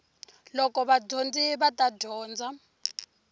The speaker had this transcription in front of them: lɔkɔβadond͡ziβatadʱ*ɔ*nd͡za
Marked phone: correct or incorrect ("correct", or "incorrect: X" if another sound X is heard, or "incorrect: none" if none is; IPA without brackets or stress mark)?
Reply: incorrect: ɔː